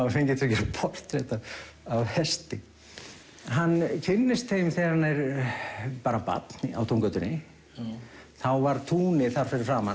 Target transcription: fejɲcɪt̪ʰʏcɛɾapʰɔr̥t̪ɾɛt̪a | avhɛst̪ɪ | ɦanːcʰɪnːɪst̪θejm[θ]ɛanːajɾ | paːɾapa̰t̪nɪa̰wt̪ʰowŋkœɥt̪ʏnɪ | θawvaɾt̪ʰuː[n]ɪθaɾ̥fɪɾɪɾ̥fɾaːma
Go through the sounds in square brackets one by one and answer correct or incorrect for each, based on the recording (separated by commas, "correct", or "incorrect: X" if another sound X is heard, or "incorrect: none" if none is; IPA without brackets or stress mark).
correct, correct